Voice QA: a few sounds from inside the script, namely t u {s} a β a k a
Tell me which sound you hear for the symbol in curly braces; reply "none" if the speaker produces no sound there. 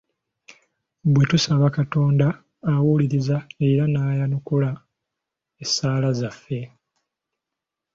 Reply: s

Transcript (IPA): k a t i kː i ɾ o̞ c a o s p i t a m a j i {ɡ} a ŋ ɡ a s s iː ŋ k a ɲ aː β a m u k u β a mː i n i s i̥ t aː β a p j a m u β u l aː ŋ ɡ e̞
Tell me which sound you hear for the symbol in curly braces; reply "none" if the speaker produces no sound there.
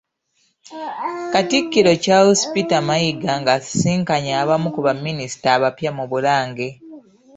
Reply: ɡ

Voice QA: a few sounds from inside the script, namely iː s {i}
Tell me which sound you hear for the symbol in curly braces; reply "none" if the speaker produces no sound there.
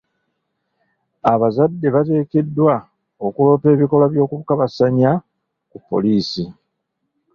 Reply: i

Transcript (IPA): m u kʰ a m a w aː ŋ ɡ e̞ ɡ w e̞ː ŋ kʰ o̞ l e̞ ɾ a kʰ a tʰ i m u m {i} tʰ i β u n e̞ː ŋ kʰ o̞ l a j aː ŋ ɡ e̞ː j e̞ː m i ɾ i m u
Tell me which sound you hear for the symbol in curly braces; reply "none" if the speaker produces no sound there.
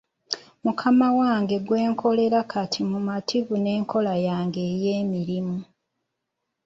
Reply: a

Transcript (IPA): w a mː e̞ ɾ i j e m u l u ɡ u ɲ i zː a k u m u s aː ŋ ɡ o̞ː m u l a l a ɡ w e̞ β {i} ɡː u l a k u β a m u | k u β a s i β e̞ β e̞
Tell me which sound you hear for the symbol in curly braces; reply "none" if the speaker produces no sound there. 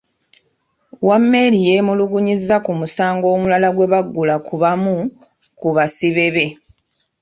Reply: a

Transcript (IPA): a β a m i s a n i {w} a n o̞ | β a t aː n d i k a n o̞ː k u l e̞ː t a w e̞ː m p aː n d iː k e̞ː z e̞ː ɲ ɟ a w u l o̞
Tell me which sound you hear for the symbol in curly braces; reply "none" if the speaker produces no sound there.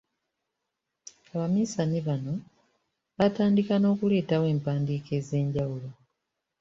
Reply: β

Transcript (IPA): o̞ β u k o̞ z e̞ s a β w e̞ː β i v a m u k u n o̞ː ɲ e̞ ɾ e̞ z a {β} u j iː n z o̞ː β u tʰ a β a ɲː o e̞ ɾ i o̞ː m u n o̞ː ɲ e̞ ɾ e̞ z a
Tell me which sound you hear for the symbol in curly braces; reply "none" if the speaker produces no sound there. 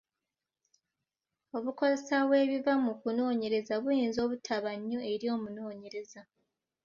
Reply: β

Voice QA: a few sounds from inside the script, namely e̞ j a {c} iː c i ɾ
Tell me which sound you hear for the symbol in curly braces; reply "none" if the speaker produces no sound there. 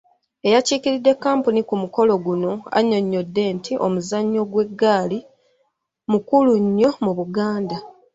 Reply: c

